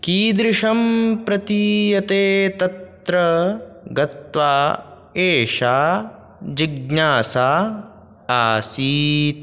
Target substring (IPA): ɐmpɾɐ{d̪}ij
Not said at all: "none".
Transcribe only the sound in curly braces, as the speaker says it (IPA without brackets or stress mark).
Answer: t̪